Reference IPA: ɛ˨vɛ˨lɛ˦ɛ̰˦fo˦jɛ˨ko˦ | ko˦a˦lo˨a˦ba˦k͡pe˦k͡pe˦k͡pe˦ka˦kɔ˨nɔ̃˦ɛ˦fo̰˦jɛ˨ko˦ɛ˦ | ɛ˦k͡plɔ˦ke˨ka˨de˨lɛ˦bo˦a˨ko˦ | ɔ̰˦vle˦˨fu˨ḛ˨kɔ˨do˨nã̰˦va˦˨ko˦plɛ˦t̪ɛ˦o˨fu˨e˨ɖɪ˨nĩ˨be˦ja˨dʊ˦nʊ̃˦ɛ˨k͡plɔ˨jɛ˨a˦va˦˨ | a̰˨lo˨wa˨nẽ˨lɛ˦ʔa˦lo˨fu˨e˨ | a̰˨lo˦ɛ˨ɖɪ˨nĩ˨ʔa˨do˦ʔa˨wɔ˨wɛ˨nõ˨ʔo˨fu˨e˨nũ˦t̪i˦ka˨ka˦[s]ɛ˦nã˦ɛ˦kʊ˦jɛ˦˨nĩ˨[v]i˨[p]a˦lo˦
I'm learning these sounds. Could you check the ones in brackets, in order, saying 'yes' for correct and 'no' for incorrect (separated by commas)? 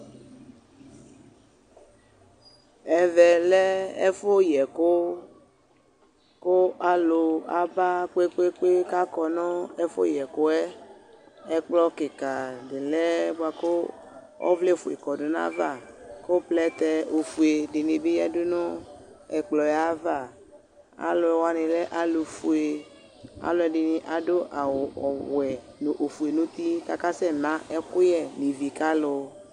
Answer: yes, yes, no